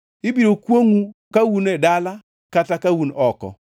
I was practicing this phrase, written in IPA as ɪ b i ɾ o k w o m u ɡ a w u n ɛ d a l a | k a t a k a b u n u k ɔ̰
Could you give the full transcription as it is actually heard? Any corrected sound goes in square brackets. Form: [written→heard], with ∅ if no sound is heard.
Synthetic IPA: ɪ b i ɾ o k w o [m→ŋ] u [ɡ→k] a w u n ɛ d a l a | k a t a k a [b→w] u n [u→ɔ] k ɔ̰